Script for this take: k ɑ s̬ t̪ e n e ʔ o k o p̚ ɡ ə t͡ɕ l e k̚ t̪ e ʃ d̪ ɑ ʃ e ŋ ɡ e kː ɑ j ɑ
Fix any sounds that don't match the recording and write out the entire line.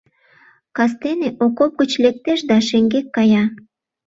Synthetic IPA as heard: k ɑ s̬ t̪ e n e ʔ o k o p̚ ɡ ə t͡ɕ l e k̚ t̪ e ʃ d̪ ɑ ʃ e ŋ ɡ e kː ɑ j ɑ